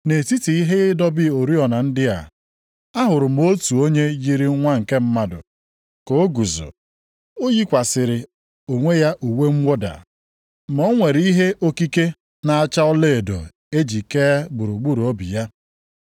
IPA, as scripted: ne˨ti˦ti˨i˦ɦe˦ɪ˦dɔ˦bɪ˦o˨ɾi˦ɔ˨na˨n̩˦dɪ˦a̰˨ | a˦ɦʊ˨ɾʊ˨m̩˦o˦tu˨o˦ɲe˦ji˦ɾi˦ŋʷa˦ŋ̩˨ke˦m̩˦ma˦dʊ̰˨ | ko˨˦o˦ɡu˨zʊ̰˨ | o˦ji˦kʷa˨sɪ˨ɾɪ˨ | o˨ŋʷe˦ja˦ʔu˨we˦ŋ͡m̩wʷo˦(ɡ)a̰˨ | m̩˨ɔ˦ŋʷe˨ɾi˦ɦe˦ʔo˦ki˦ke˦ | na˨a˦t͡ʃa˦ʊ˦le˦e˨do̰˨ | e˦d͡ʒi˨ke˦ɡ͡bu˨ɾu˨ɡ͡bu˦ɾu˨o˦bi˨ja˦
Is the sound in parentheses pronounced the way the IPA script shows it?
no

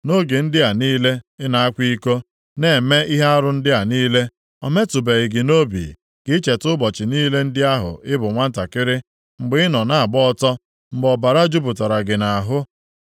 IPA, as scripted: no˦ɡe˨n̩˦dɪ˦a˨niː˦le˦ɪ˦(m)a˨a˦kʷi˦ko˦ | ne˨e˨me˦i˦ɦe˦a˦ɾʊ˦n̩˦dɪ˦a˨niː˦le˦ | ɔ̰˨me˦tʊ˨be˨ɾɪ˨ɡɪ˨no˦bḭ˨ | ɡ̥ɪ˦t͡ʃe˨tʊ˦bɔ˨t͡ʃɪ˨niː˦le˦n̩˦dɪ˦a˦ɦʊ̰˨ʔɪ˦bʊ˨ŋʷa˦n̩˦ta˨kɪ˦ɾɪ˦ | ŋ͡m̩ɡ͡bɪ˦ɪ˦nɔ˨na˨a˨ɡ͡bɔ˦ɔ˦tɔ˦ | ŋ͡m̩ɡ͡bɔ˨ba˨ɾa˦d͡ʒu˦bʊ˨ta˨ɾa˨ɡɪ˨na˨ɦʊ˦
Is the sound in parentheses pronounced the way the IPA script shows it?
no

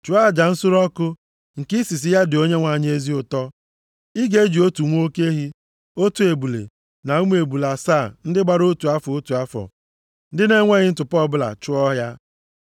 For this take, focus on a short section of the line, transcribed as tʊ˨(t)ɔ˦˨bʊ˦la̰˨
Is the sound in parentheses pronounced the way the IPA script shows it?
no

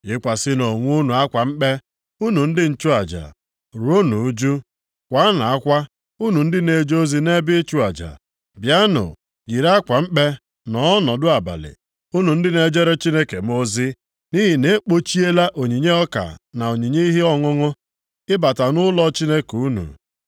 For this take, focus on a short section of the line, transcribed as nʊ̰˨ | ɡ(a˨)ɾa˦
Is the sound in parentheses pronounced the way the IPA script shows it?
no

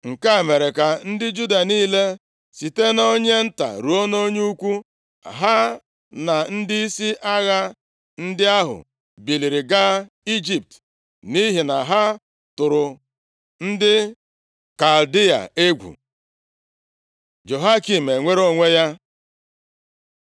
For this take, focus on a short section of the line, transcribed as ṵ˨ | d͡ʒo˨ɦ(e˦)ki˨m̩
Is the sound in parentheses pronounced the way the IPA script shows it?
no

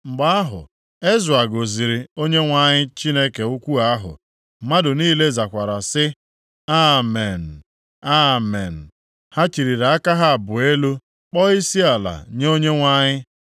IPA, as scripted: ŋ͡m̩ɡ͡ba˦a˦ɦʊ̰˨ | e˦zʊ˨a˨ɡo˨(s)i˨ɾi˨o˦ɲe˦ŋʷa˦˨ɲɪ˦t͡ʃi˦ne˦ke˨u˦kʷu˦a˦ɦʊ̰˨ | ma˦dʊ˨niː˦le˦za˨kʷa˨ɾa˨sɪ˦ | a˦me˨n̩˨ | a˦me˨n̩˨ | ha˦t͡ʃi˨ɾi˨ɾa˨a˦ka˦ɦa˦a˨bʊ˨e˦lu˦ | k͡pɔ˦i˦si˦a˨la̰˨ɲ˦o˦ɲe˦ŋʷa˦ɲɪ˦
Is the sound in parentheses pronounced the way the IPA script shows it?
no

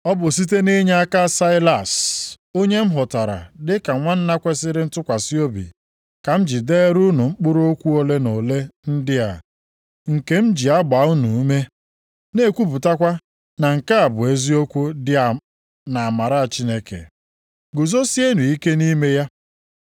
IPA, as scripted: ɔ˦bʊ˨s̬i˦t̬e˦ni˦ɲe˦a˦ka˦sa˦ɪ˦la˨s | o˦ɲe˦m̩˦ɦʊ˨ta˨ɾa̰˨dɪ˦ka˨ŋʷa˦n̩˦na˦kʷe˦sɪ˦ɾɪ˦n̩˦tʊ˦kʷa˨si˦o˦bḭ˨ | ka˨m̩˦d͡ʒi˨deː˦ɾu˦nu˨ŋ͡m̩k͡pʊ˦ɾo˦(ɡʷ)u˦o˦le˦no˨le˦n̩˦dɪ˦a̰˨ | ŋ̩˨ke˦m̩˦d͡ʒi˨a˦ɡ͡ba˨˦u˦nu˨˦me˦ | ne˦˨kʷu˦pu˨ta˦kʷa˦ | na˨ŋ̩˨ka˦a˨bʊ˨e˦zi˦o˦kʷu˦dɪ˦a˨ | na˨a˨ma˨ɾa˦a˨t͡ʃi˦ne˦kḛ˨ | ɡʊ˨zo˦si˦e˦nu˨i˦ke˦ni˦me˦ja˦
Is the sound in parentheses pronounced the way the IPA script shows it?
no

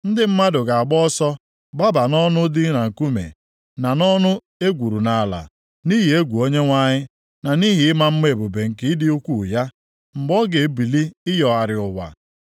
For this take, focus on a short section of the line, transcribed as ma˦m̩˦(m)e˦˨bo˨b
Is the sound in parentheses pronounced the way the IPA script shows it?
yes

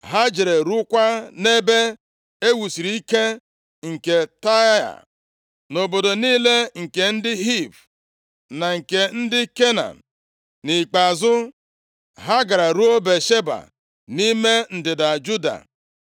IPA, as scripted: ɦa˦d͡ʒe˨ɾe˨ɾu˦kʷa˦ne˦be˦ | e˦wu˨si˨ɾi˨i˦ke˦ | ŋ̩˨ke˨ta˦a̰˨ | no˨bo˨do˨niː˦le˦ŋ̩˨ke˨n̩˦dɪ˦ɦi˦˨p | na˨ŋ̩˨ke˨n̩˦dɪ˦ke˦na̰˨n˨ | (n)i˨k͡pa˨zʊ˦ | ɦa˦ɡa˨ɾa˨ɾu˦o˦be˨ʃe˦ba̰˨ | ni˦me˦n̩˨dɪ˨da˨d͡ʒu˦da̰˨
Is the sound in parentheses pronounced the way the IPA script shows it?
yes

